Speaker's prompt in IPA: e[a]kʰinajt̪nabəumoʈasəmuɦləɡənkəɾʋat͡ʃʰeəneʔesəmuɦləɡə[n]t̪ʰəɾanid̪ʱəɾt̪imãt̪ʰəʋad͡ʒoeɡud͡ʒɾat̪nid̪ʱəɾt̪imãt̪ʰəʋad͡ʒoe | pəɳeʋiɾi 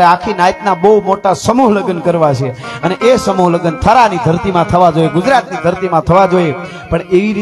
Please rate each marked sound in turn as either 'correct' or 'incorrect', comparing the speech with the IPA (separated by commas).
correct, correct